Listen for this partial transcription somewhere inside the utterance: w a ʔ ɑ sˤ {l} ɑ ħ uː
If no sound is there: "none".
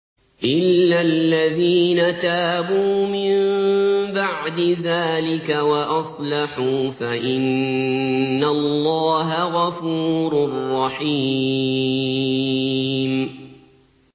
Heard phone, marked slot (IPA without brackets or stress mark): l